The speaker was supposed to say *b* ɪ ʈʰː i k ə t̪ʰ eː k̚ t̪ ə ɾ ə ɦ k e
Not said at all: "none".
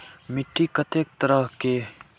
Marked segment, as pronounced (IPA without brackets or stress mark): m